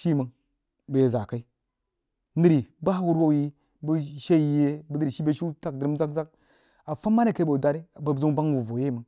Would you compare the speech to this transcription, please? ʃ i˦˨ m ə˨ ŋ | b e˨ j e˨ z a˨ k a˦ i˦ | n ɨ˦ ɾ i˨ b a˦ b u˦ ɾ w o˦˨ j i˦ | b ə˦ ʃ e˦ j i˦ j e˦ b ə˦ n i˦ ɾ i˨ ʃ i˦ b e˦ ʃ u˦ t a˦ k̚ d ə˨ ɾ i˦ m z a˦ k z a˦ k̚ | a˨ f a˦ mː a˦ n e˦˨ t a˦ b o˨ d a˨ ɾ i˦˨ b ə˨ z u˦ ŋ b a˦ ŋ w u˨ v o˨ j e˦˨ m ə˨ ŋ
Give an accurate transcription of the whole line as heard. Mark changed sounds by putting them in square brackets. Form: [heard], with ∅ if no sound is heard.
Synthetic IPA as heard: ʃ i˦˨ m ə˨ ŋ | b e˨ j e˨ z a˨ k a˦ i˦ | n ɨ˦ ɾ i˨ b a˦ [w] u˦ ɾ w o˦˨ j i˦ | b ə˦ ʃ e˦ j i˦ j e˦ b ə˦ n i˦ ɾ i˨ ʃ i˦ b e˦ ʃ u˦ t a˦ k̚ d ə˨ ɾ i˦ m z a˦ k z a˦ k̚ | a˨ f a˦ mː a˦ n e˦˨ [k] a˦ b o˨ d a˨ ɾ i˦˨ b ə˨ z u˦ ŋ b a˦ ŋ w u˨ v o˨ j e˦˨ m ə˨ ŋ